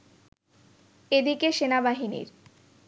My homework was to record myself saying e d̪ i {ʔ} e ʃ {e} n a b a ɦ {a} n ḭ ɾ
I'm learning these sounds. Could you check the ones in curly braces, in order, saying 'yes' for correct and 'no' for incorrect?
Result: no, yes, no

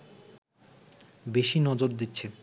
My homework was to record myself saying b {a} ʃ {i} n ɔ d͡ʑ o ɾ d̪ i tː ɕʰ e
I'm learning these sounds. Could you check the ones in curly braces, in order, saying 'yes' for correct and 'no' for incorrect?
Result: no, yes

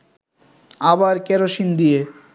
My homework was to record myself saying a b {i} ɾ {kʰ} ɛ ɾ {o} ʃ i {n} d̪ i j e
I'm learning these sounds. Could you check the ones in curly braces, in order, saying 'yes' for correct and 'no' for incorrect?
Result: no, no, yes, yes

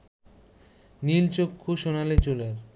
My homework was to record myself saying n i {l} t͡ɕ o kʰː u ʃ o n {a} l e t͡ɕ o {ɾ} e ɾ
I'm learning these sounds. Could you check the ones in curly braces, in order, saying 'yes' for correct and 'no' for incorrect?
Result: yes, yes, no

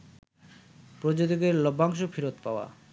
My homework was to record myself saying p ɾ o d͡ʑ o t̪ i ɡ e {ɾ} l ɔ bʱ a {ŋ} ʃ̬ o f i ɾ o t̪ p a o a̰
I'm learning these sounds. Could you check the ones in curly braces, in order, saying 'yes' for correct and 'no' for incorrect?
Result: yes, yes

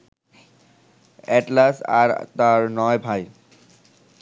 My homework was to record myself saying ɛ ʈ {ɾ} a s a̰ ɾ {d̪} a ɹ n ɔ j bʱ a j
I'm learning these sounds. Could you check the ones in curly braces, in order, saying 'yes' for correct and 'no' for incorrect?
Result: no, no

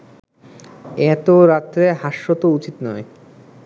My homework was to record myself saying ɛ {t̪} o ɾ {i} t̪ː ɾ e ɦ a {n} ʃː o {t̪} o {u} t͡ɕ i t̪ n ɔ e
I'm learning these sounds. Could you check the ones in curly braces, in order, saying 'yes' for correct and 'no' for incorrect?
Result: yes, no, no, yes, yes

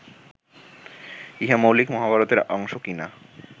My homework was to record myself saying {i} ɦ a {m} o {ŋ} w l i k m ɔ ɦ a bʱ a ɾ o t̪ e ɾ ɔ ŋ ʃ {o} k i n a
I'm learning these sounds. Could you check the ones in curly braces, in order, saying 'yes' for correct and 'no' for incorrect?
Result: yes, yes, no, yes

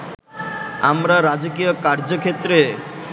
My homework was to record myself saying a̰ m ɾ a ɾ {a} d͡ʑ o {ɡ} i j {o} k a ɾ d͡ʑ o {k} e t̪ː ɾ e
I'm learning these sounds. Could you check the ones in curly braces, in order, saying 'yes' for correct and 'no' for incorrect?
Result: yes, no, yes, no

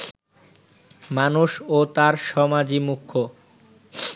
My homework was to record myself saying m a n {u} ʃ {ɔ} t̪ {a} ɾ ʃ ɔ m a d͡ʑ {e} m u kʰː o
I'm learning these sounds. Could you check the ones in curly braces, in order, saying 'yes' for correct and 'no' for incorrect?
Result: yes, no, yes, no

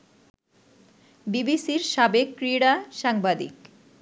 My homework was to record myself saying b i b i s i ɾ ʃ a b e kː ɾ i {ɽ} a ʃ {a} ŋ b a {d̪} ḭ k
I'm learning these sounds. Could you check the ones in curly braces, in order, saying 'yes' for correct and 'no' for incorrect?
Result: yes, yes, yes

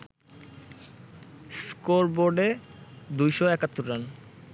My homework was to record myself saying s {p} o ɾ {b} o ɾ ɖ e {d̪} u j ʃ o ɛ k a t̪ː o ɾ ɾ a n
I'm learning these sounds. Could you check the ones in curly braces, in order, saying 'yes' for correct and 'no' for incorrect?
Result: no, yes, yes

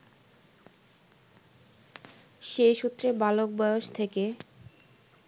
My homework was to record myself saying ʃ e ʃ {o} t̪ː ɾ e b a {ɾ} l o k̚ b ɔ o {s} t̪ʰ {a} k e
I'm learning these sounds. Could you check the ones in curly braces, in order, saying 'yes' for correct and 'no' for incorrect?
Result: no, no, no, no

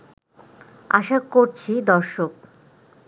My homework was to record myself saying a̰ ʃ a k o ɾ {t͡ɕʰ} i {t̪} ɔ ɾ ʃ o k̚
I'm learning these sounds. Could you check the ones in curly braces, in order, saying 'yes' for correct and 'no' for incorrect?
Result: yes, no

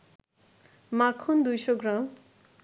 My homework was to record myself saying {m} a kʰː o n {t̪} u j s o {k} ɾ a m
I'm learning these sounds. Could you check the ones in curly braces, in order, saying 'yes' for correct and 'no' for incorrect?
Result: yes, no, no

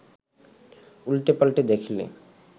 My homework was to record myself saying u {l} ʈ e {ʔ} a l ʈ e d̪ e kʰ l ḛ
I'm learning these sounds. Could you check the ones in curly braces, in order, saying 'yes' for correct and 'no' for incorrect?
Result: yes, no

